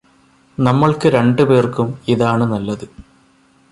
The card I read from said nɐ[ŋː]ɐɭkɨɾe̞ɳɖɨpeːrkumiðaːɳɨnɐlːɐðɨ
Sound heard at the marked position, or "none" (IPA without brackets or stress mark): mː